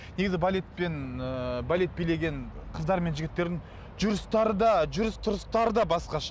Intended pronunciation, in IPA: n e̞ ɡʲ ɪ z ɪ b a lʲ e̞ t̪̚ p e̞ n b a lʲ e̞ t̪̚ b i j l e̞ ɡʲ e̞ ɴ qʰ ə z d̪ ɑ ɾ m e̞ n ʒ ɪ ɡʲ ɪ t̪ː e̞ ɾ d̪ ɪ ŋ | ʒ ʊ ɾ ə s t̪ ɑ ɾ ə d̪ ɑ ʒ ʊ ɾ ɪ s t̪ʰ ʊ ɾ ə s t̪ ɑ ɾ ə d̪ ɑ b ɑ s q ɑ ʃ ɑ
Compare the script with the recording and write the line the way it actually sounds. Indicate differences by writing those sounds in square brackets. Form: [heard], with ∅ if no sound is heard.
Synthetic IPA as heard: n e̞ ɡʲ ɪ z ɪ b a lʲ e̞ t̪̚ p e̞ n b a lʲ e̞ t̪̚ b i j l e̞ ɡʲ e̞ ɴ qʰ ə z d̪ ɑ ɾ m e̞ n ʒ ɪ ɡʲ ɪ t̪ː e̞ ɾ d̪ ɪ ŋ | ʒ ʊ ɾ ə s t̪ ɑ ɾ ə d̪ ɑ ʒ ʊ ɾ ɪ s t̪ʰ ʊ ɾ ə s t̪ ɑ ɾ ə d̪ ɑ b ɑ s q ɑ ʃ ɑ